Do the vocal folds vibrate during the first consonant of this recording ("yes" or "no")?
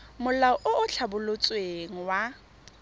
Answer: yes